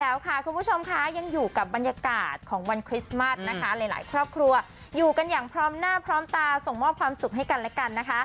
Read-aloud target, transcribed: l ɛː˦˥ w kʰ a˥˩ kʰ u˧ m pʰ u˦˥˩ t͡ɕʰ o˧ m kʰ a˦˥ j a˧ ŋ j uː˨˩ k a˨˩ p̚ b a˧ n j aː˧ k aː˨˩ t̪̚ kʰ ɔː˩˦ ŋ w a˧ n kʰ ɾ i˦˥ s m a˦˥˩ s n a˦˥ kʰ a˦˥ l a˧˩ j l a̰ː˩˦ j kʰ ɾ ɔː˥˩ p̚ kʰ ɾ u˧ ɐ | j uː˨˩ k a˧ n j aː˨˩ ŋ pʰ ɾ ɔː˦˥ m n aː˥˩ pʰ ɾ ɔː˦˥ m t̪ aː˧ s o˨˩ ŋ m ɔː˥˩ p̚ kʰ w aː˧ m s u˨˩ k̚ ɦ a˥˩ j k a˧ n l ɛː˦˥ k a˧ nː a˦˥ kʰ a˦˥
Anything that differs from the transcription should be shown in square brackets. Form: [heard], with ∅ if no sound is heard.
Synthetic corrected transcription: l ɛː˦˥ w kʰ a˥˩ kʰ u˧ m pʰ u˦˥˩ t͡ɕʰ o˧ m kʰ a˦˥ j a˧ ŋ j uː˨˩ k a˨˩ p̚ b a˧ n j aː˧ k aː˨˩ t̪̚ kʰ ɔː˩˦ ŋ w a˧ n kʰ ɾ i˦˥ s m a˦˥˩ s n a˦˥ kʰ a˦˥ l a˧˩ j l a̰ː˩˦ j kʰ ɾ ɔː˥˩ p̚ kʰ ɾ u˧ ɐ | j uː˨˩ k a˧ n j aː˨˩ ŋ pʰ ɾ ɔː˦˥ m n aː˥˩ pʰ ɾ ɔː˦˥ m t̪ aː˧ s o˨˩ ŋ m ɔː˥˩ p̚ kʰ w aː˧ m s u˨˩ k̚ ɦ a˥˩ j k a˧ n l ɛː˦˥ k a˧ nː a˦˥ kʰ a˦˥